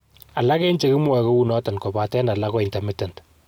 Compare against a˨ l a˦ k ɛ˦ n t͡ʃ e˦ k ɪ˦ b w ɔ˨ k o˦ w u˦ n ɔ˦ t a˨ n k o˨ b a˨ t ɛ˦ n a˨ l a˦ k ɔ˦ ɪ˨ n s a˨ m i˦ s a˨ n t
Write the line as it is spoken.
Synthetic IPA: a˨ l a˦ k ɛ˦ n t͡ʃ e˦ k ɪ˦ m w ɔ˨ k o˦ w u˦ n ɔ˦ t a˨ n k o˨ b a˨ t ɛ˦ n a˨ l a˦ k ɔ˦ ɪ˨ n t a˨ m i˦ t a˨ n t